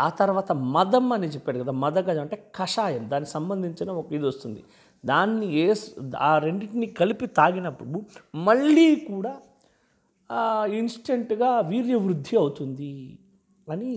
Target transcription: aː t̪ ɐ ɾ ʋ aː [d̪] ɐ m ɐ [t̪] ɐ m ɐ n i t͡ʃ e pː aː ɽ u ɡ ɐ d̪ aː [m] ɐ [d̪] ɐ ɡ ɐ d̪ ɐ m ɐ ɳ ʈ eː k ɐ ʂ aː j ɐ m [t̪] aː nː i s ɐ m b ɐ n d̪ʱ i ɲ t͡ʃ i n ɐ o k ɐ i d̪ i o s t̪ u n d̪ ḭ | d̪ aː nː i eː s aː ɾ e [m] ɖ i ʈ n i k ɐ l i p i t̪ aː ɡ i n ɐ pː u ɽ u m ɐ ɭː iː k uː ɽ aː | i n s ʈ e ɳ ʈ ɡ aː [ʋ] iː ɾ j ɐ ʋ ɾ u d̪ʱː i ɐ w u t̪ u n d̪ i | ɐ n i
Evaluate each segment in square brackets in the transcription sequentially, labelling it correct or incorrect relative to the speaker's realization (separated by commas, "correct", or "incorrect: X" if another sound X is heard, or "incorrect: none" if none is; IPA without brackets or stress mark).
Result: incorrect: t̪, incorrect: d̪, correct, correct, incorrect: d̪, incorrect: ɳ, correct